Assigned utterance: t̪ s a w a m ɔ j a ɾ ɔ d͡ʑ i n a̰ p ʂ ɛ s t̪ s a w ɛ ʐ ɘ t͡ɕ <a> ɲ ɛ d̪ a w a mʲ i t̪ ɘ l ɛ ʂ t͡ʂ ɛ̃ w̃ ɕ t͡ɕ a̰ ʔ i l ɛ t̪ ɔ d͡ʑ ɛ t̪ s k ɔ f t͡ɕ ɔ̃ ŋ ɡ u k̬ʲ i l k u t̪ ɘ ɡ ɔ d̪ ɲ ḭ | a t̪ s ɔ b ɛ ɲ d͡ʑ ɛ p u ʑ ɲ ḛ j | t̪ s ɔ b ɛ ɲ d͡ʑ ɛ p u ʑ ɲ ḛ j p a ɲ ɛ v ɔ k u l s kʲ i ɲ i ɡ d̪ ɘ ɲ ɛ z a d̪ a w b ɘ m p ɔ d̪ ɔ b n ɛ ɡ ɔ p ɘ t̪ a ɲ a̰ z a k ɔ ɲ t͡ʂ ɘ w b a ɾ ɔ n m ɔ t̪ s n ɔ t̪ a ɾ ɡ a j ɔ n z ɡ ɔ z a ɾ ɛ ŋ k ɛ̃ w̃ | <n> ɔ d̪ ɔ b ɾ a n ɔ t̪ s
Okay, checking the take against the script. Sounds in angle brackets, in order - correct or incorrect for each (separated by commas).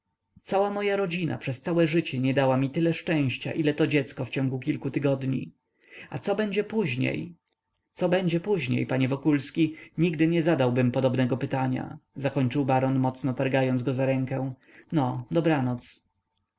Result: incorrect, correct